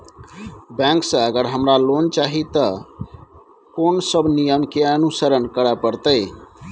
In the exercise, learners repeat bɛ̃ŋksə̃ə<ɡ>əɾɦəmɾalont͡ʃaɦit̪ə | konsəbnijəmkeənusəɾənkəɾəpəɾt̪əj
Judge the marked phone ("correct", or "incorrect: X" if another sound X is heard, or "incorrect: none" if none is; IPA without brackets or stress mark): correct